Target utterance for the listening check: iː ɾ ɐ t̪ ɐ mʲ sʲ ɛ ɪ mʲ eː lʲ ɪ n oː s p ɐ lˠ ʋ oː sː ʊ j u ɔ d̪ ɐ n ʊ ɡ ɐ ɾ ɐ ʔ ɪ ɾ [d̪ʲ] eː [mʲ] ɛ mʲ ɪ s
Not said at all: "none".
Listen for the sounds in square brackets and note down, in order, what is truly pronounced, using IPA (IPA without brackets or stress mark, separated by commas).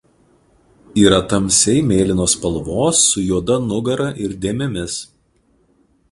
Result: d̪ʲ, mʲ